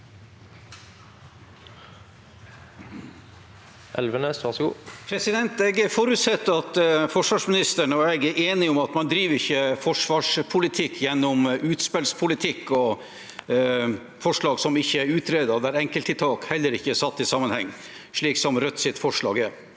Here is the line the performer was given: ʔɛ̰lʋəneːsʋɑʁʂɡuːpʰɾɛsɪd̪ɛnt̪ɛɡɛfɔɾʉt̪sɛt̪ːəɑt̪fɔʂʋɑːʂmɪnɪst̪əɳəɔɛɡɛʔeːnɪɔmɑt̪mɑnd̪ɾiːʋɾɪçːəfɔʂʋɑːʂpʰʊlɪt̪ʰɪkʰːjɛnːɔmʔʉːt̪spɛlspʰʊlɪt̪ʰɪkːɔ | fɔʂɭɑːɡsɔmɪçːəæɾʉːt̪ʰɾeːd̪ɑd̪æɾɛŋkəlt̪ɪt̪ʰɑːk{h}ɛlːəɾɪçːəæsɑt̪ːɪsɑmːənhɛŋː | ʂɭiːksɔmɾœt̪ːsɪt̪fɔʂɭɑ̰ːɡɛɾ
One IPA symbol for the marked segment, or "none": h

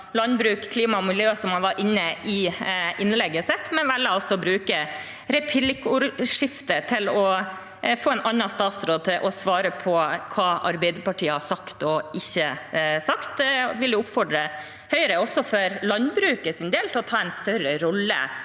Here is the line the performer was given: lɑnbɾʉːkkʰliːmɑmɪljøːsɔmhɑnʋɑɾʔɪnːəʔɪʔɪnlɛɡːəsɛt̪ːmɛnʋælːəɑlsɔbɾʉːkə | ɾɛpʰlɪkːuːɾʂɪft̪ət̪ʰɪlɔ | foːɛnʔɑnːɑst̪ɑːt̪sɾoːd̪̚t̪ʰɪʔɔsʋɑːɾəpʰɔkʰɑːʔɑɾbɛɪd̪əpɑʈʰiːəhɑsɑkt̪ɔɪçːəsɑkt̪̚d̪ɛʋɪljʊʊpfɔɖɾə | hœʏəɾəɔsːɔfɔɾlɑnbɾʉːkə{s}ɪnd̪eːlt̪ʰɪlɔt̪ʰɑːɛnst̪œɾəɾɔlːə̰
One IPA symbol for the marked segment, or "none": s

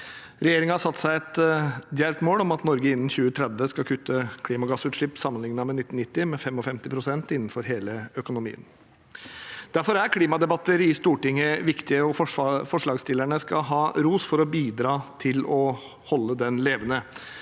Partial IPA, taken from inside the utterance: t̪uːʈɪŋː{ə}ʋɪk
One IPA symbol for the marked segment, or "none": ə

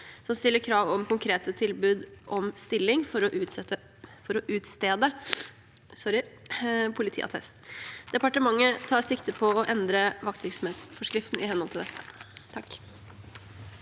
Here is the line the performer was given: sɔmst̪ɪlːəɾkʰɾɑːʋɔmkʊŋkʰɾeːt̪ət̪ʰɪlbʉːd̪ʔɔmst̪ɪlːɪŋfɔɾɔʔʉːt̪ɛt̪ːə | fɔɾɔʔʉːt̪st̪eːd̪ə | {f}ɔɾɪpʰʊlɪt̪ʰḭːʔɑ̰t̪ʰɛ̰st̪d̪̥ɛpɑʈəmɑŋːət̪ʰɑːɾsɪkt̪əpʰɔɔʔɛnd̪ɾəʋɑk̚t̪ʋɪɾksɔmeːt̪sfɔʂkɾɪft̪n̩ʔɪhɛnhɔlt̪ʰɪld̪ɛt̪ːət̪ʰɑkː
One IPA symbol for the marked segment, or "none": s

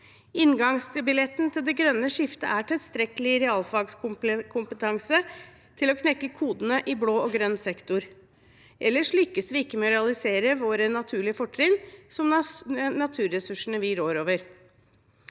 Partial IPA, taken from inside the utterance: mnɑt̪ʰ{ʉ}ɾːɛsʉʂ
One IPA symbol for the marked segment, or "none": ʉː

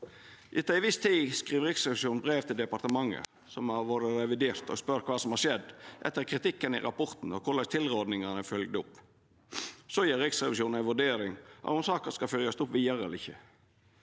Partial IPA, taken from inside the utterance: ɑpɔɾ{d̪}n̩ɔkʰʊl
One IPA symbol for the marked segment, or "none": t̪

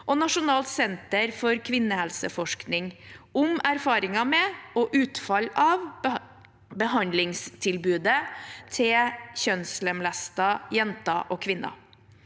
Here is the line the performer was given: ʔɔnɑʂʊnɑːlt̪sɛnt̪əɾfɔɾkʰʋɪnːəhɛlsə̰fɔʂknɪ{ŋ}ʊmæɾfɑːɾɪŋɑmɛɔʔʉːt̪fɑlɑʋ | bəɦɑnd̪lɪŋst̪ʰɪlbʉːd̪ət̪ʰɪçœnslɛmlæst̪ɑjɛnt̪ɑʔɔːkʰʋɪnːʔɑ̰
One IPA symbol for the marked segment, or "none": ŋ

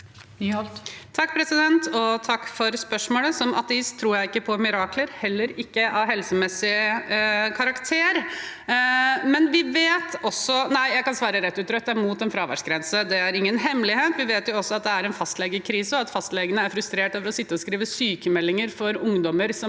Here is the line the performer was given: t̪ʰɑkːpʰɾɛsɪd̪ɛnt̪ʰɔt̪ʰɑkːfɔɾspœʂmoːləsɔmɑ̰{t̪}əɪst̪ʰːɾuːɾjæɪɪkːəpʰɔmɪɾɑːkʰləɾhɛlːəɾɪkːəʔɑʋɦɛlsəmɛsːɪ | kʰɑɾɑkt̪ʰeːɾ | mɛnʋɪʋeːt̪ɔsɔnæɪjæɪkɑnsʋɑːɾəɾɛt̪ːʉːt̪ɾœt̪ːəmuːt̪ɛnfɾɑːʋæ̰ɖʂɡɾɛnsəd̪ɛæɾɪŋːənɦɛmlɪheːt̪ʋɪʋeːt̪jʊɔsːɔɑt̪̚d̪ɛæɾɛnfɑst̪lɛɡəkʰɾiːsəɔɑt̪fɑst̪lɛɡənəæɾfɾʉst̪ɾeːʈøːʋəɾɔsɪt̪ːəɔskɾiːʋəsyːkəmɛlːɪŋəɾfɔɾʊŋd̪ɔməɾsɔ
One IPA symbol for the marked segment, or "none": t̪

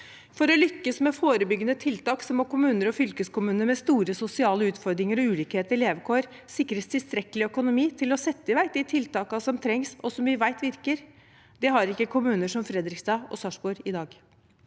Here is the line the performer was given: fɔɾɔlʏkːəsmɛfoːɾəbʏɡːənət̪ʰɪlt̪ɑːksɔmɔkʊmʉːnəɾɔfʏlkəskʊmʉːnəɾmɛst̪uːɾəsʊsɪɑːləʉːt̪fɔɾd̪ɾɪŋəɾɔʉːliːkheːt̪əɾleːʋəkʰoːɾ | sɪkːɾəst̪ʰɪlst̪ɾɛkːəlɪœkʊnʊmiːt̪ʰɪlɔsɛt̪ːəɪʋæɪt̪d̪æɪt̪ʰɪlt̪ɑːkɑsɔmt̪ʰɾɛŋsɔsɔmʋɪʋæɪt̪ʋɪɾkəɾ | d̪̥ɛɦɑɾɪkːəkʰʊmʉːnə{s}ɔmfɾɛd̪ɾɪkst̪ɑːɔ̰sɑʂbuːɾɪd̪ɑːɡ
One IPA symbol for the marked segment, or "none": ʂ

